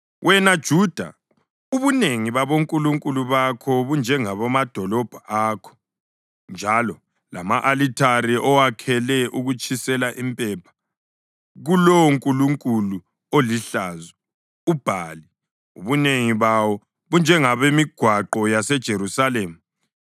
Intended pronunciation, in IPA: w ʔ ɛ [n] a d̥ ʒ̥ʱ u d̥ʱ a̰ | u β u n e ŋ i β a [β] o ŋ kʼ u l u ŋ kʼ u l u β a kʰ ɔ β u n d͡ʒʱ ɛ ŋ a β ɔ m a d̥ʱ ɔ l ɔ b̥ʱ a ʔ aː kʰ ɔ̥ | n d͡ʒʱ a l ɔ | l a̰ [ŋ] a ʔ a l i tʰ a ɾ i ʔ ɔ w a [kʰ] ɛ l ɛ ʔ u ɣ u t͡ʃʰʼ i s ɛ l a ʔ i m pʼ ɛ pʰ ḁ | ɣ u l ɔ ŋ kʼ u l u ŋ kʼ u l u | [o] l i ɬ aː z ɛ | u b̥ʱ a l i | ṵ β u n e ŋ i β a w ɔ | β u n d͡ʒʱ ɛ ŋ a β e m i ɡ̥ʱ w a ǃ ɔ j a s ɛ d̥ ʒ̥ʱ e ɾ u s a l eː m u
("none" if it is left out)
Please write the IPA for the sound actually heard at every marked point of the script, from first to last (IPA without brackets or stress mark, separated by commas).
n, β, m, kʰ, o